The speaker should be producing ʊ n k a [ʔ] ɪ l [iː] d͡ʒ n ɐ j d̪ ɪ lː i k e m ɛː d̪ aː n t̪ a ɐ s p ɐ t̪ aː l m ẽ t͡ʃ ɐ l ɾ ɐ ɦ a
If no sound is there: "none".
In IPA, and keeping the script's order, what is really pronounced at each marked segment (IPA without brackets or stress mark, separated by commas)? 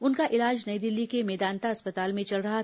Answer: ʔ, aː